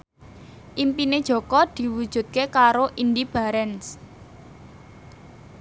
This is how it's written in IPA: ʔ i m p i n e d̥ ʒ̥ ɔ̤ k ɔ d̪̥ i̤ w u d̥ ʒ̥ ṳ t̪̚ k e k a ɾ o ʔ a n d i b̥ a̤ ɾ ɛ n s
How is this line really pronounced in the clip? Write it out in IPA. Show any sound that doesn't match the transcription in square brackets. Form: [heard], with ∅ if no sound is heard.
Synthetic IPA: ʔ i m p i n e d̥ ʒ̥ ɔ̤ k ɔ d̪̥ i̤ w u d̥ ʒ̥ ṳ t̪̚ k e k a ɾ o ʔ [i] n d i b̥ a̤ ɾ ɛ n s

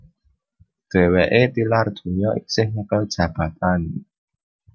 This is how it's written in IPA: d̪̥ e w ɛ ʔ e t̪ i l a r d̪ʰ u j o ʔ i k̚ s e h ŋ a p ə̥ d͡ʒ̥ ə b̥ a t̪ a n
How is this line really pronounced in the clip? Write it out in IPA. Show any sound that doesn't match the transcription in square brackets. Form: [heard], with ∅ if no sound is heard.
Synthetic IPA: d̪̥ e w ɛ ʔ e t̪ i l a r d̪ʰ u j [ɔ] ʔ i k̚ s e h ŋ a [k] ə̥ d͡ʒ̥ [a] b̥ a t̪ a n

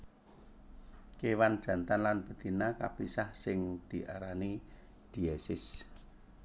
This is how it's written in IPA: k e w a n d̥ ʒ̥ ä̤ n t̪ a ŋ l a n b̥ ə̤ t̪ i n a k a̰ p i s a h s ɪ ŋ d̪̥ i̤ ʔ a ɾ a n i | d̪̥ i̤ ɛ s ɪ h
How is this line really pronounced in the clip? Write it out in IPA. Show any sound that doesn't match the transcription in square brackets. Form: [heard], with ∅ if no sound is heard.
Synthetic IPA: k e w a n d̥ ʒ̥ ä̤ n t̪ a [n] l a n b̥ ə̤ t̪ i n a k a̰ p i s a h s ɪ ŋ d̪̥ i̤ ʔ a ɾ a n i | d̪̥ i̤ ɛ s ɪ [s]

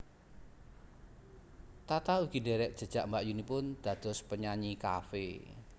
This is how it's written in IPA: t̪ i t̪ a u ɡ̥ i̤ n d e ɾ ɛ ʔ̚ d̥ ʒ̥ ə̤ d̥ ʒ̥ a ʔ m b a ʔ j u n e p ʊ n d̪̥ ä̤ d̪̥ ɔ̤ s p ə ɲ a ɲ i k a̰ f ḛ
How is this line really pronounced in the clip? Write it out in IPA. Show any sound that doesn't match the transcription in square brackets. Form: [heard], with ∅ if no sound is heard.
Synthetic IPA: t̪ [a] t̪ a u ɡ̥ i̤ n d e ɾ ɛ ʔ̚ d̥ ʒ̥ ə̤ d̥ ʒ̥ a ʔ m b a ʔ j u n [i] p ʊ n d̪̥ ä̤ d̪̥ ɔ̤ s p ə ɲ a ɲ i k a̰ f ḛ

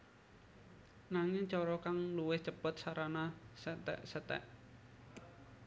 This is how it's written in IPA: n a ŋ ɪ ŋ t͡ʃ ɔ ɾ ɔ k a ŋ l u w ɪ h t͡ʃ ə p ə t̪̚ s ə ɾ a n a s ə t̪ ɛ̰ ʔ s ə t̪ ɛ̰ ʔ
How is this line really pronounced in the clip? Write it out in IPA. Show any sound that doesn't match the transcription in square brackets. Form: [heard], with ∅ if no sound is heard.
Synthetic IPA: n a ŋ ɪ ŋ t͡ʃ ɔ ɾ ɔ k a ŋ l u w ɪ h t͡ʃ ə p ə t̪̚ s [a] ɾ a n a s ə t̪ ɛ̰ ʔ s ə t̪ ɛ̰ ʔ

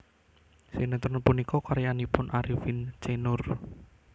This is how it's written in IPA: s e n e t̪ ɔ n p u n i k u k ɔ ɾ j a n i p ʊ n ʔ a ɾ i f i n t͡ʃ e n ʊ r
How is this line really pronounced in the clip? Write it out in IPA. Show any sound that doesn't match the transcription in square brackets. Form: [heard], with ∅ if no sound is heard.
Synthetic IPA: s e n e t̪ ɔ n p u n i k [ɔ] k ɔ ɾ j a n i p ʊ n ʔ a ɾ i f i n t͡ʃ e n ʊ r

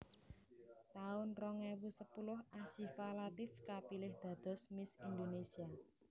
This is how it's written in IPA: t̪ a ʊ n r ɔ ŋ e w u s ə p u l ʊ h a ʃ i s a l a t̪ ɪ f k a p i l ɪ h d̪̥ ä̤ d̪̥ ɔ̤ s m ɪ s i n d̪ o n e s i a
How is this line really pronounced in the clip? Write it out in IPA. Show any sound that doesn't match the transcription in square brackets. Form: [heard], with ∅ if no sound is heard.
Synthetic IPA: t̪ a ʊ n r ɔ ŋ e w u s ə p u l ʊ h a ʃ i [f] a l a t̪ ɪ f k a p i l ɪ h d̪̥ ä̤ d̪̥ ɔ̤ s m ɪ s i n d̪ o n e s i a

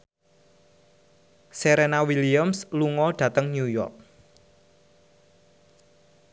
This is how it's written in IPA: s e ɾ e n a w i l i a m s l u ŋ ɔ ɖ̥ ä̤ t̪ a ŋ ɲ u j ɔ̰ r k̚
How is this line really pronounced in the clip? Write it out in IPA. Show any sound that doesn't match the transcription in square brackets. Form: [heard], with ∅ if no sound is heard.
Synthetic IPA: s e ɾ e n a w i l i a m s l u ŋ ɔ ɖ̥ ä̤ t̪ [ə] ŋ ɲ u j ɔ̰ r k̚

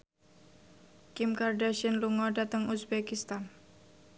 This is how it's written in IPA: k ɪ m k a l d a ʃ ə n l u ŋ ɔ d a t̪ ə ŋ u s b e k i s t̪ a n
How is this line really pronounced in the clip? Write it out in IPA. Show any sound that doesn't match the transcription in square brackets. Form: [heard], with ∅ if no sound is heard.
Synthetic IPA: k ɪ m k a [r] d a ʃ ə n l u ŋ ɔ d a t̪ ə ŋ u s b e k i s t̪ a n

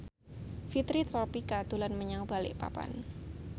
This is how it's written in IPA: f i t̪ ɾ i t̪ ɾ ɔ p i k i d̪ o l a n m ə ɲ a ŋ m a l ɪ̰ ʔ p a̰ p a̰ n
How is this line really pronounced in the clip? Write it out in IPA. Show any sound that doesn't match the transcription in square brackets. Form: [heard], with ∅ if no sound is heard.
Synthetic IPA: f i t̪ ɾ i t̪ ɾ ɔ p i k [a] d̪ [u] l a n m ə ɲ a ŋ [b] a l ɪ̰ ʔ p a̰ p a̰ n

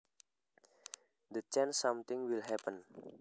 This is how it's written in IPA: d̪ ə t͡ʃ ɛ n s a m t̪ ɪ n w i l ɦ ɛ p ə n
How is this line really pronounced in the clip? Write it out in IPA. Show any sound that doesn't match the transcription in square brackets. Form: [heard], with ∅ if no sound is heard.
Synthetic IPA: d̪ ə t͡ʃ ɛ n s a m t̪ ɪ [ŋ] w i l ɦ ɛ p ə n

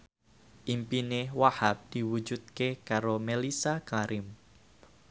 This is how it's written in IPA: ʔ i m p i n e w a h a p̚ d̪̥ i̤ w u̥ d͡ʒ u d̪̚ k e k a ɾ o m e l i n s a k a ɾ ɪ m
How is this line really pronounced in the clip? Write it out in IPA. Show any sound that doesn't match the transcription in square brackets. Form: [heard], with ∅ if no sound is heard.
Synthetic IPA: ʔ i m p i n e w a h a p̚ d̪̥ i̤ w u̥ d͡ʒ u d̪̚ k e k a ɾ o m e l i [∅] s a k a ɾ ɪ m

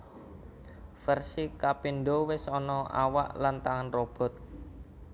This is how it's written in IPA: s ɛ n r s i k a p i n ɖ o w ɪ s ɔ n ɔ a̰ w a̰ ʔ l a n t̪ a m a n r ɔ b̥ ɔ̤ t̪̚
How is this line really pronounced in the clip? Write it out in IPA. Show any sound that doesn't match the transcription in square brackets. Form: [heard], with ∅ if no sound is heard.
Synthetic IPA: [f] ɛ [∅] r s i k a p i n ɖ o w ɪ s ɔ n ɔ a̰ w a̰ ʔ l a n t̪ a [ŋ] a n r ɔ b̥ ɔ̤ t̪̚

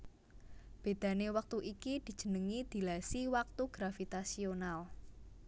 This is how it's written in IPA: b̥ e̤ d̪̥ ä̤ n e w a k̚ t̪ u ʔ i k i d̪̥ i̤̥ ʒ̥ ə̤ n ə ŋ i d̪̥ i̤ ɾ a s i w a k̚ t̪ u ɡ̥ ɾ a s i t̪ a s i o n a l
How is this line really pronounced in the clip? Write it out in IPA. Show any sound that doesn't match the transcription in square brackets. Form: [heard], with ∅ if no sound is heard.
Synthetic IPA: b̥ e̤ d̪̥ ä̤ n e w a k̚ t̪ u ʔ i k i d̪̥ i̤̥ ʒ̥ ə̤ n ə ŋ i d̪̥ i̤ [l] a s i w a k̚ t̪ u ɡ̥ ɾ a [f] i t̪ a s i o n a l

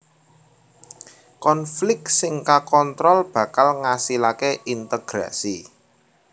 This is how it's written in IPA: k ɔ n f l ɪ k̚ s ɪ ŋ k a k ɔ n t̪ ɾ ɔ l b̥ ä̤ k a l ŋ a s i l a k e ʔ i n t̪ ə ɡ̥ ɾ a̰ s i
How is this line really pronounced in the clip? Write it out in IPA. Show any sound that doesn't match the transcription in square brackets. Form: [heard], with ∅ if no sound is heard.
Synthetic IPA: k ɔ n f l ɪ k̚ s ɪ ŋ k a k ɔ n t̪ ɾ ɔ l b̥ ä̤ k a l ŋ a s i l a k e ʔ i n t̪ ə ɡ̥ ɾ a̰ s i

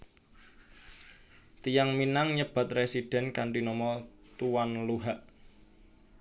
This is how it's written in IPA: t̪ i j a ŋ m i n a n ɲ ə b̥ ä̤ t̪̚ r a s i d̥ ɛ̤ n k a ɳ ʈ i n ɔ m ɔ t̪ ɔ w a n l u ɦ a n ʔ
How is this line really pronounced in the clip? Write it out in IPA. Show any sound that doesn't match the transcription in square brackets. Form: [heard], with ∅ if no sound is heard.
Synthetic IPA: t̪ i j a ŋ m i n a [ŋ] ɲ ə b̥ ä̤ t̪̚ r [e] s i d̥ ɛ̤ n k a ɳ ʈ i n ɔ m ɔ t̪ [u] w a n l u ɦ a [∅] ʔ

